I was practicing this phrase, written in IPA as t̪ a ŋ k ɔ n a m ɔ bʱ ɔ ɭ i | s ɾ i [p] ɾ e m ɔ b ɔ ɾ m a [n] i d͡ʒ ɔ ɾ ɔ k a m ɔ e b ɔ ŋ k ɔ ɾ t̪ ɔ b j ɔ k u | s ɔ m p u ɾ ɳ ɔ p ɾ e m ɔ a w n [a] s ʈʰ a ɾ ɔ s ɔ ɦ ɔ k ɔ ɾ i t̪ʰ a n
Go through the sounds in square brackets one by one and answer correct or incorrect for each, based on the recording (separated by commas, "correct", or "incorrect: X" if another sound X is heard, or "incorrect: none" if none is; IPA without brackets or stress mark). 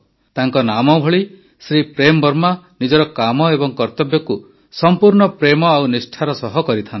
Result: correct, correct, incorrect: i